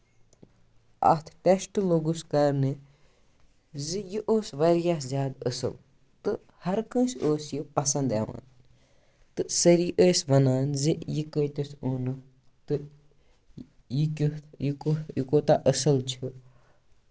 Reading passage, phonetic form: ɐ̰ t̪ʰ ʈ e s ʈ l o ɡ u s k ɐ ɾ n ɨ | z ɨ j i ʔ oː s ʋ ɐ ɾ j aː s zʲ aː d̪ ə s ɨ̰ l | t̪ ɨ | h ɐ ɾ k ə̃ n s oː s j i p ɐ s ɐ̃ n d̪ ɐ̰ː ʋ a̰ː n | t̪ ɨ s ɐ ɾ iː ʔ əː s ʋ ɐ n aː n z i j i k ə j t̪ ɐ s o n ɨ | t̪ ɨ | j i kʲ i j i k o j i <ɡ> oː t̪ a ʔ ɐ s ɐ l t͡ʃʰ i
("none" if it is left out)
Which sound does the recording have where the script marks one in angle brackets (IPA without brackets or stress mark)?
k